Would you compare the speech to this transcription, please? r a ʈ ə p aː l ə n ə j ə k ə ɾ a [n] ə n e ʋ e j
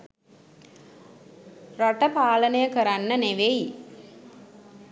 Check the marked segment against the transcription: incorrect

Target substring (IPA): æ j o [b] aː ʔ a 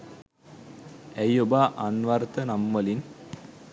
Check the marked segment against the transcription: correct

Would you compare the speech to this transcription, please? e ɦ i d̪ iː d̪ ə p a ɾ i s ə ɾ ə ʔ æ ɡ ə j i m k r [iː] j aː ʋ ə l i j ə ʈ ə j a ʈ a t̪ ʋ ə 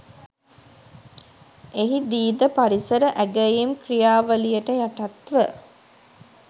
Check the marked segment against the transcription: incorrect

